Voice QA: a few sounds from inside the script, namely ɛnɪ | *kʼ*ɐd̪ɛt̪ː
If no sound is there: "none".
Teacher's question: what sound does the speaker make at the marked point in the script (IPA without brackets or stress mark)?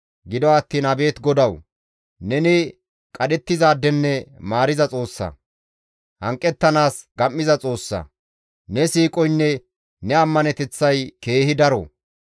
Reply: kʼ